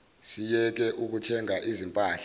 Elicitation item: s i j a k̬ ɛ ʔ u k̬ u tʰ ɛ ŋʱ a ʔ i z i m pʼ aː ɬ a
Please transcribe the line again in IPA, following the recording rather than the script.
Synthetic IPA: s i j ɛ k̬ ɛ ʔ u k̬ u tʰ ɛ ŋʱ a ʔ i z i m pʼ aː ɬ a